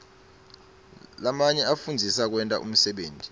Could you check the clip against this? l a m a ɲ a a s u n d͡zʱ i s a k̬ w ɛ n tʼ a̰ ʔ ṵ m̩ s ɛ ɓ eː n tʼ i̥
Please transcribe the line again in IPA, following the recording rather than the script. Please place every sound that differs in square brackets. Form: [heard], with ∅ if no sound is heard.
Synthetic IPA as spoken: l a m a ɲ [ɛ] a [f] u n d͡zʱ i s a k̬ w ɛ n tʼ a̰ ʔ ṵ m̩ s ɛ ɓ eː n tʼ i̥